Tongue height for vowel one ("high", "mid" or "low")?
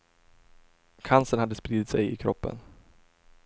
low